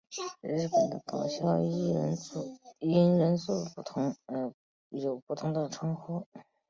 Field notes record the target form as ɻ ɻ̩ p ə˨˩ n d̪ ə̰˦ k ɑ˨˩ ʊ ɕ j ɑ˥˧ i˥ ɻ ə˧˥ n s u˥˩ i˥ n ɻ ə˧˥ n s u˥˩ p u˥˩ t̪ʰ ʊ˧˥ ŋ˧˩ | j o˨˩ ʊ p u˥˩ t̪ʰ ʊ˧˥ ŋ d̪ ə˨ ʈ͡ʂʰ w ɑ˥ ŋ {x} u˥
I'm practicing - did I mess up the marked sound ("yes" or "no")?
no